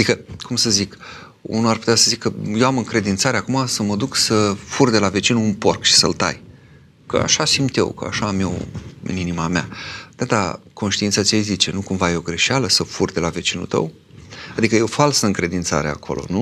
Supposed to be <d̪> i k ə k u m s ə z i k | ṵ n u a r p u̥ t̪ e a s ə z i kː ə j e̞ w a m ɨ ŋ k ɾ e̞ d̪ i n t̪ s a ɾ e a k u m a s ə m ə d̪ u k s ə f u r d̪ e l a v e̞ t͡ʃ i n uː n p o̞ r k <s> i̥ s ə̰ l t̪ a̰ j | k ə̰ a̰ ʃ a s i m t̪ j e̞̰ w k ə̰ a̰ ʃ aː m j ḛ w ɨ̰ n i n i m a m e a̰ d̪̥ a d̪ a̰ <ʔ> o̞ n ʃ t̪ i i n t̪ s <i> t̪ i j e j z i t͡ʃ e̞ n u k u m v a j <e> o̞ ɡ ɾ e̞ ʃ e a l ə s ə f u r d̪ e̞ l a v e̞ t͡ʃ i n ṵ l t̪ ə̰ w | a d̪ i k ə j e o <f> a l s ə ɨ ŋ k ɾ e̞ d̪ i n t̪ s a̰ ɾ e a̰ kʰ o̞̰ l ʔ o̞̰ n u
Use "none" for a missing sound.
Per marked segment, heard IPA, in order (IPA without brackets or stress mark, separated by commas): d̪, ʃ, k, a, e, f